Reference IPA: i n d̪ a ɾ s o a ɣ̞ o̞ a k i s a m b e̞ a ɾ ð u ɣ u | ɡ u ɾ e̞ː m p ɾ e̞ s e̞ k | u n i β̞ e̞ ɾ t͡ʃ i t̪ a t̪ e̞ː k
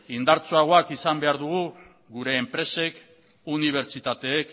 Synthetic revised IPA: i n d̪ a ɾ t͡s o a ɣ̞ o̞ a k i s a m b e̞ a ɾ ð u ɣ u | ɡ u ɾ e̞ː m p ɾ e̞ s e̞ k | u n i β̞ e̞ ɾ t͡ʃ i t̪ a t̪ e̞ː k

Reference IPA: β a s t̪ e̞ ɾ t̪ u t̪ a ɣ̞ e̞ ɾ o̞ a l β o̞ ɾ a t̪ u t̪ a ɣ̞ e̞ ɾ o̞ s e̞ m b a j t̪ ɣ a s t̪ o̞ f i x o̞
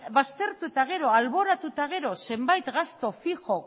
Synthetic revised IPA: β a s t̪ e̞ ɾ t̪ u t̪ a ɣ̞ e̞ ɾ o̞ a l β o̞ ɾ a t̪ u t̪ a ɣ̞ e̞ ɾ o̞ s e̞ m b a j t̪ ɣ a s t̪ o̞ f i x o̞

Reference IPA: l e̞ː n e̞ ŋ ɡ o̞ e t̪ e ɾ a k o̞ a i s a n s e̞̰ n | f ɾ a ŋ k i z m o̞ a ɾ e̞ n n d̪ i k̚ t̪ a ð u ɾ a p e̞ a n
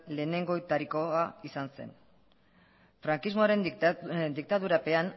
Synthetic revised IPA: l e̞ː n e̞ ŋ ɡ o̞ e t̪ a ɾ i k o̞ a i s a n s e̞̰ n | f ɾ a ŋ k i z m o̞ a ɾ e̞ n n d̪ i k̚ t̪ a ð u ɾ a p e̞ a n

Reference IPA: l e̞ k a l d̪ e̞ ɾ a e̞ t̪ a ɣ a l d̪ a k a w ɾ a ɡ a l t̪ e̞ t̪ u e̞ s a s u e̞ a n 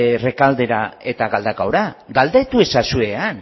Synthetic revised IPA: r e̞ k a l d̪ e̞ ɾ a e̞ t̪ a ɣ a l d̪ a k a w ɾ a ɡ a l d̪ e̞ t̪ u e̞ s a s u e̞ a n

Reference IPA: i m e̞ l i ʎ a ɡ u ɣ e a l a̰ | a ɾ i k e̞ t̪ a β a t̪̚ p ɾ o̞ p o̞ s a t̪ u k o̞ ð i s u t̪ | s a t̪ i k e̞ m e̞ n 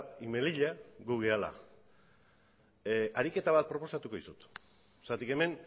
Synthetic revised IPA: i m e̞ l i ʎ a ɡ u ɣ e a l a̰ | a ɾ i k e̞ t̪ a β a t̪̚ p ɾ o̞ p o̞ s a t̪ u k o̞ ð i s u t̪ | s a t̪ i k e̞ m e̞ n

